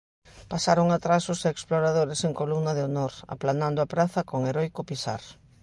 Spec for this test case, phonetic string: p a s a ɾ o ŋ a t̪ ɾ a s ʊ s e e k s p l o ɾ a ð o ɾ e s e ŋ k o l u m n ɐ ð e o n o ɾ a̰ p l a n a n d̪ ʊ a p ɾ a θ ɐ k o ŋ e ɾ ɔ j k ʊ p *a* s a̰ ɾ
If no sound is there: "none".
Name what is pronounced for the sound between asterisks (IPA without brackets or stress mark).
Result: i